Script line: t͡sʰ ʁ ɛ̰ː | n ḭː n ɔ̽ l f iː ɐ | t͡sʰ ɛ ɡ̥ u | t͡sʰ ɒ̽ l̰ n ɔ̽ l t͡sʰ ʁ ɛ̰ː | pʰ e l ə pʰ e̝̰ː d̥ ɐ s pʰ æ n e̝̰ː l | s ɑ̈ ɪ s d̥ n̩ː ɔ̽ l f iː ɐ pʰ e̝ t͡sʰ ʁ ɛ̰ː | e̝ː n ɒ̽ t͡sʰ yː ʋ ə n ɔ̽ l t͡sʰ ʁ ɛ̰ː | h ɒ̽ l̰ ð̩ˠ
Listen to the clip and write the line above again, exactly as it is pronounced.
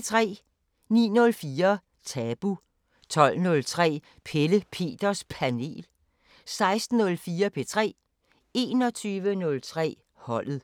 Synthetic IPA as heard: t͡sʰ ʁ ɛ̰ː | n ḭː n ɔ̽ l f iː ɐ | t͡sʰ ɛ b̥ u | t͡sʰ ɒ̽ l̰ n ɔ̽ l t͡sʰ ʁ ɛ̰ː | pʰ e l ə pʰ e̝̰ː d̥ ɐ s pʰ æ n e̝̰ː l | s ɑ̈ ɪ s d̥ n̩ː ɔ̽ l f iː ɐ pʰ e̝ t͡sʰ ʁ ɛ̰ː | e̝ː n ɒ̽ t͡sʰ yː ʋ ə n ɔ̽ l t͡sʰ ʁ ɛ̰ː | h ɒ̽ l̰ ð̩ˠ